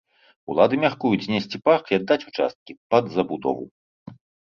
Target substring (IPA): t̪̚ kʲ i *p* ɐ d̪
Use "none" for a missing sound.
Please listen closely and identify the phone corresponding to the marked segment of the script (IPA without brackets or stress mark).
p